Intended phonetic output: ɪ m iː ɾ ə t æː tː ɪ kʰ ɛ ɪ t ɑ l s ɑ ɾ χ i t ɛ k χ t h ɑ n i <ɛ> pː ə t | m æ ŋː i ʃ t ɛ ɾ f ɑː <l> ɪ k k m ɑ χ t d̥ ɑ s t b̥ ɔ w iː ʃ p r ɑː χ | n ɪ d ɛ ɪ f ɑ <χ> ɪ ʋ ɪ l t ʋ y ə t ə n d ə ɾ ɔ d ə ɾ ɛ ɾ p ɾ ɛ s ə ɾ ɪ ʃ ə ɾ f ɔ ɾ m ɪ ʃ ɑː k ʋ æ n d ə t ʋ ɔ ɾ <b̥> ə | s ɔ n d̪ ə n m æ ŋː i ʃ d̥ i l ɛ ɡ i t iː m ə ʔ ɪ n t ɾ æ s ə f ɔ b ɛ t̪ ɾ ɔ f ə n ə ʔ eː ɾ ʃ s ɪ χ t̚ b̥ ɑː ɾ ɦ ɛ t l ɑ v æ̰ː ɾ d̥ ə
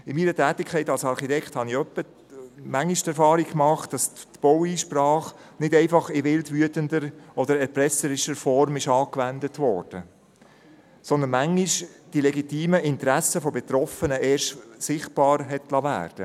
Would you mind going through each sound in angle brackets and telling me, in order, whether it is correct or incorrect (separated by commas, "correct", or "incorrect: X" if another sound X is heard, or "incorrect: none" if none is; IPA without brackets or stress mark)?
incorrect: œ, incorrect: ɾ, correct, incorrect: d̥